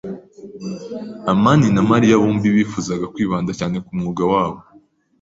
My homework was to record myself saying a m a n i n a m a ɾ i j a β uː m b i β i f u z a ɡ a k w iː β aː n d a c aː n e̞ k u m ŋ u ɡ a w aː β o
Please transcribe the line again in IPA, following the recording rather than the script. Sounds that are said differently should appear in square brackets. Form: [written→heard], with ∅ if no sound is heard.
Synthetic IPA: a m a n i n a m a ɾ i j a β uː m b i β i f u z a ɡ a k w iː β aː n d a c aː n e̞ k u m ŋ u ɡ a w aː β o

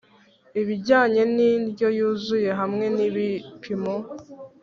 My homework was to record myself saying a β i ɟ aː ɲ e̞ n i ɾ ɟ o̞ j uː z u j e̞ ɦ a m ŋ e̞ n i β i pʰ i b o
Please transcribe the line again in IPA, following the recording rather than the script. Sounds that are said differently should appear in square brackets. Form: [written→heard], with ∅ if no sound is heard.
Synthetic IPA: [a→i] β i ɟ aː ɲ e̞ n i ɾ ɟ o̞ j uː z u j e̞ ɦ a m ŋ e̞ n i β i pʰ i [b→m] o

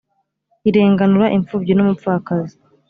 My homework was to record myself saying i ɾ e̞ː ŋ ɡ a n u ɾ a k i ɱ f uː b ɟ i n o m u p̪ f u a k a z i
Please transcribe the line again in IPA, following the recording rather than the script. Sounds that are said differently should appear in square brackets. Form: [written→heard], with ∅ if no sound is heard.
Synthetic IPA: i ɾ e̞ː ŋ ɡ a n u ɾ a [k→ʔ] i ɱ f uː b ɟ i n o m u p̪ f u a k a z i

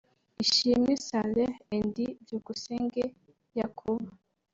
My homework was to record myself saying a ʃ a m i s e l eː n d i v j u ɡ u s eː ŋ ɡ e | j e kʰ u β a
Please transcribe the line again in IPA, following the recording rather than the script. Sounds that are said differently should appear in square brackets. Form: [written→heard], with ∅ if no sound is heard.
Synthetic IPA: [a→i] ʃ [a→i] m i s [e→a] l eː n d i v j u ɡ u s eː ŋ ɡ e | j [e→a] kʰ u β a

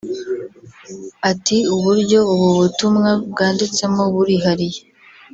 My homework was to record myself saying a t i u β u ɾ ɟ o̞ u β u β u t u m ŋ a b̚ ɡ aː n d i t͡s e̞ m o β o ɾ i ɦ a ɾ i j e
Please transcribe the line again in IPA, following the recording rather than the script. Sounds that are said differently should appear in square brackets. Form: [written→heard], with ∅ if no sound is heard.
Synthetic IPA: a t i u β u ɾ ɟ o̞ u β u β u t u m ŋ a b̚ ɡ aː n d i t͡s e̞ m o β [o→u] ɾ i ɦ a ɾ i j e

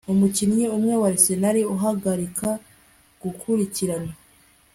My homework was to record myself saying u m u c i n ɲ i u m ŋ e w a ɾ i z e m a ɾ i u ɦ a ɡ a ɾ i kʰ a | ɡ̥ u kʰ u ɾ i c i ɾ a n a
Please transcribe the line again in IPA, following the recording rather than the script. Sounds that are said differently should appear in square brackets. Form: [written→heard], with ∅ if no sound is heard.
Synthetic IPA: u m u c i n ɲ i u m ŋ e w a ɾ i [z→s] e [m→n] a ɾ i u ɦ a ɡ a ɾ i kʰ a | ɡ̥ u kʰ u ɾ i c i ɾ a n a

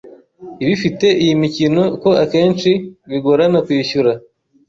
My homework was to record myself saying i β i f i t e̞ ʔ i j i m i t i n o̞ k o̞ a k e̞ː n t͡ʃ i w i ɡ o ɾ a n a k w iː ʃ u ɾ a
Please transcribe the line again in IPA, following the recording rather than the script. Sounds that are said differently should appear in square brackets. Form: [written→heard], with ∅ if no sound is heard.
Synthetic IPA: i β i f i t e̞ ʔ i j i m i [t→c] i n o̞ k o̞ a k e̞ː n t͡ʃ i [w→β] i ɡ o ɾ a n a k w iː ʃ u ɾ a

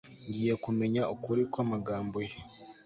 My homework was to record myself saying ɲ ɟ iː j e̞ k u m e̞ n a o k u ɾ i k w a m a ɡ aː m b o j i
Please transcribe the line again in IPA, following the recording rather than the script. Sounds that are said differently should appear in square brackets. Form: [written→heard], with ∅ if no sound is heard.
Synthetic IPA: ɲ ɟ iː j e̞ k u m e̞ [n→ɲ] a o k u ɾ i k w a m a ɡ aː m b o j [i→e]

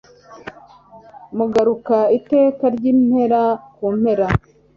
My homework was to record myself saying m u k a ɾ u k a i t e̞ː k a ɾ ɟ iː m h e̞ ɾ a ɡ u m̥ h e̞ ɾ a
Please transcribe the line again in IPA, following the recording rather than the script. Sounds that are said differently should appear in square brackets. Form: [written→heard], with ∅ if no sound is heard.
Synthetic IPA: m u [k→ɡ] a ɾ u k a i t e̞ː k a ɾ ɟ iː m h e̞ ɾ a [ɡ→k] u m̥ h e̞ ɾ a

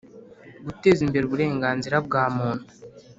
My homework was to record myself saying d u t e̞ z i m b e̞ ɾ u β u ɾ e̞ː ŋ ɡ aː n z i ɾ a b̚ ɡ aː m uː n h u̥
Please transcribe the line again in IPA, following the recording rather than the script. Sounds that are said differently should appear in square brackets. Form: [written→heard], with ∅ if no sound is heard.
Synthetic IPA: [d→ɡ] u t e̞ z i m b e̞ ɾ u β u ɾ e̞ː ŋ ɡ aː n z i ɾ a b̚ ɡ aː m uː n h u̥

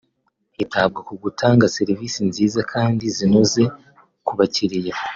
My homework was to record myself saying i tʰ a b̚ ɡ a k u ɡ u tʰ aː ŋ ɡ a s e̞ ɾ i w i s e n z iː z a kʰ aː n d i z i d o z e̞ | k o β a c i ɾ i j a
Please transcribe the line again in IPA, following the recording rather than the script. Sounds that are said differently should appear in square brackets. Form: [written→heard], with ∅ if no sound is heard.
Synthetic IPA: i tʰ a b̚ ɡ a k u ɡ u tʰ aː ŋ ɡ a s e̞ ɾ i [w→v] i s [e→i] n z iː z a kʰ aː n d i z i [d→n] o z e̞ | k [o→u] β a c i ɾ i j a

